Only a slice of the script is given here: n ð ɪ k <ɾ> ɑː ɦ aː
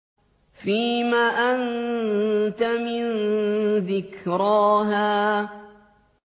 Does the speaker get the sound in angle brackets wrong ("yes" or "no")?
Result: no